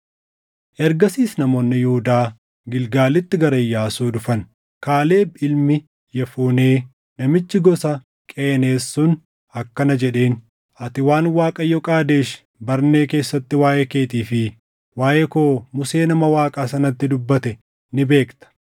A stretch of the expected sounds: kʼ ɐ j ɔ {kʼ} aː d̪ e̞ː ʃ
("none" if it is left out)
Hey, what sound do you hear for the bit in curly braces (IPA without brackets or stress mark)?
kʼ